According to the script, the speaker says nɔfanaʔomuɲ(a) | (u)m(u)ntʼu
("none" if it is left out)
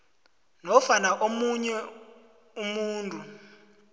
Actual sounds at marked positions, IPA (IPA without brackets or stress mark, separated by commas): ɛ, u, uː